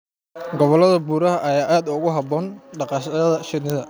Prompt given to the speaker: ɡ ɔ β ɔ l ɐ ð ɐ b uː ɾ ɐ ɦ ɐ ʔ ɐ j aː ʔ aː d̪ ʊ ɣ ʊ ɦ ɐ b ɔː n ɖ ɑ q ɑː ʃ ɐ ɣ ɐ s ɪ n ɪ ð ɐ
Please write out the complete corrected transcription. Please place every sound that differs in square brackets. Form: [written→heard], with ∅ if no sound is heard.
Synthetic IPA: ɡ ɔ β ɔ l ɐ ð ɐ b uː ɾ ɐ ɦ ɐ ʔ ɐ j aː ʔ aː d̪ ʊ ɣ ʊ ɦ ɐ b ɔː n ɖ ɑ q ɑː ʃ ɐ [ɣ→ð] ɐ [s→ʃ] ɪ n ɪ ð ɐ